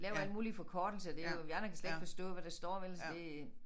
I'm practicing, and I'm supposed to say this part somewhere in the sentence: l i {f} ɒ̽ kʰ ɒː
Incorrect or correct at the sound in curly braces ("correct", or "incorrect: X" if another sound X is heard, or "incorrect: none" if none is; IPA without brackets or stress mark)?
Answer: correct